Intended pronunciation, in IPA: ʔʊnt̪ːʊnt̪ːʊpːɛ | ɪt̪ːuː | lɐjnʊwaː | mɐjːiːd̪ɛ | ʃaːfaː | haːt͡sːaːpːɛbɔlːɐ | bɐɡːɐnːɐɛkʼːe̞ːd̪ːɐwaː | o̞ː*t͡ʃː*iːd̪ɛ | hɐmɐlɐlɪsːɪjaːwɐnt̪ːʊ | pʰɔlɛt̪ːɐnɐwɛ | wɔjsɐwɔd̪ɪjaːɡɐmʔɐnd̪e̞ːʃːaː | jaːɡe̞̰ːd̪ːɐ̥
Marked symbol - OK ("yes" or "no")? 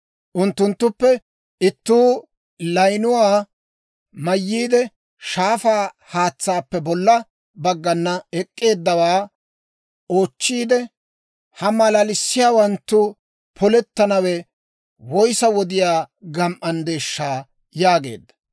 yes